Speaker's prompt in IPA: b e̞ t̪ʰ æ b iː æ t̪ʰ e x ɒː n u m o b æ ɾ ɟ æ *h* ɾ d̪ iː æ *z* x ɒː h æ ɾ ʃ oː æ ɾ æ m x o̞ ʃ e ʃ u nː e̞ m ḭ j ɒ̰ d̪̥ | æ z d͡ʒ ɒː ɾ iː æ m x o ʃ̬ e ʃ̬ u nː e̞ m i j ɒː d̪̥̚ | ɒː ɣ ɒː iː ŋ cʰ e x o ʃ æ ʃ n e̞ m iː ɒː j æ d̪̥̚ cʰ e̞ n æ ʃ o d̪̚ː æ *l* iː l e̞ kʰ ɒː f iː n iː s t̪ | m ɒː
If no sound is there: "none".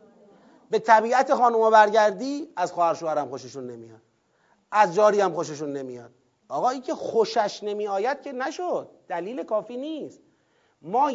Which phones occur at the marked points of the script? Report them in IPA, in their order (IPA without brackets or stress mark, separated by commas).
none, z, l